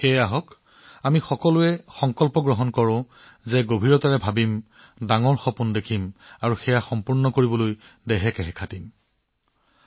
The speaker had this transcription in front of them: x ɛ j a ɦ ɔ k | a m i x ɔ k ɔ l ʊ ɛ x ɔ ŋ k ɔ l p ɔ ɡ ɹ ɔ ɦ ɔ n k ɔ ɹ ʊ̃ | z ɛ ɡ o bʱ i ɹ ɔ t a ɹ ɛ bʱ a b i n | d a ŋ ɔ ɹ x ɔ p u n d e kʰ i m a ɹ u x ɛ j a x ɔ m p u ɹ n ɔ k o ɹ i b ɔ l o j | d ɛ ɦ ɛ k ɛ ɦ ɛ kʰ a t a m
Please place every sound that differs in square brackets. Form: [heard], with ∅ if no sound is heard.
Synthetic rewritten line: x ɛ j a ɦ ɔ k | a m i x ɔ k ɔ l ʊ ɛ x ɔ ŋ k ɔ l p ɔ ɡ ɹ ɔ ɦ ɔ n k ɔ ɹ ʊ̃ | z ɛ ɡ o bʱ i ɹ ɔ t a ɹ ɛ bʱ a b i [m] | d a ŋ ɔ ɹ x ɔ p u n d e kʰ i m a ɹ u x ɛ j a x ɔ m p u ɹ n ɔ k o ɹ i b ɔ l o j | d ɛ ɦ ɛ k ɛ ɦ ɛ kʰ a t [i] m